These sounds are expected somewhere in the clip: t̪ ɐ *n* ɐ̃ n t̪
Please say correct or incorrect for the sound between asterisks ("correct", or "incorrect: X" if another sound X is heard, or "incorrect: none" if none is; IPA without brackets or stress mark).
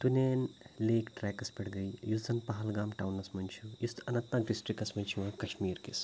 correct